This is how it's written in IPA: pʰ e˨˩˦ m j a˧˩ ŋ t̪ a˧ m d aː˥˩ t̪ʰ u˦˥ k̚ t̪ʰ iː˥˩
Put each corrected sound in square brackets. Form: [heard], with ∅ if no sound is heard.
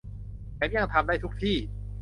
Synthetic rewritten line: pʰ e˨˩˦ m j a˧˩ ŋ [t̪ʰ] a˧ m d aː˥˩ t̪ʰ u˦˥ k̚ t̪ʰ iː˥˩